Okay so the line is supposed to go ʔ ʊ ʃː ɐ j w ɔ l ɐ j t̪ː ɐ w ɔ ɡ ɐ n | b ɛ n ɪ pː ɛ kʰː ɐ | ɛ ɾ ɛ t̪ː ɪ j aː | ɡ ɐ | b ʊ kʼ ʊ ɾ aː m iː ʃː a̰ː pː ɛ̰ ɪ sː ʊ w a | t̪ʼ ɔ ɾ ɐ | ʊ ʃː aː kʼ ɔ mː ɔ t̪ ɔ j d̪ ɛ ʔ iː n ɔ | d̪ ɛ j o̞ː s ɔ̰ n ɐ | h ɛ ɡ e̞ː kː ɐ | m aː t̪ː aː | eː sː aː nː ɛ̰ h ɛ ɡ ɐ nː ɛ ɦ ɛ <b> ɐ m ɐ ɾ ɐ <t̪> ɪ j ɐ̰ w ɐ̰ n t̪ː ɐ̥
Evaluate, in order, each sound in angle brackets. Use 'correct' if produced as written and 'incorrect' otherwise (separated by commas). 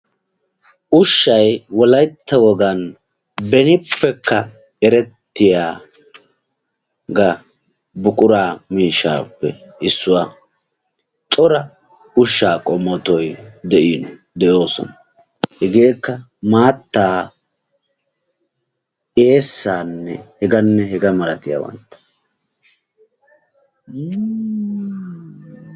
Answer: incorrect, correct